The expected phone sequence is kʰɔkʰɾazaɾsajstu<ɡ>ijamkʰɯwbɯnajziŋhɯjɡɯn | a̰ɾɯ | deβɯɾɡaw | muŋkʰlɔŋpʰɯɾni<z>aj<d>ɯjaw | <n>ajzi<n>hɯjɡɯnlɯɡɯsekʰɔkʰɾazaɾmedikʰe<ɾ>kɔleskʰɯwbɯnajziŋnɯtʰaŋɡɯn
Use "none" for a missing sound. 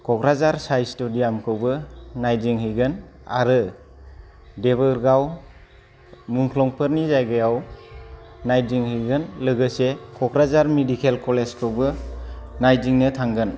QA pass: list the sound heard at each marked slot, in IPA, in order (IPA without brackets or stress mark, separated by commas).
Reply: d, z, ɡ, n, ŋ, l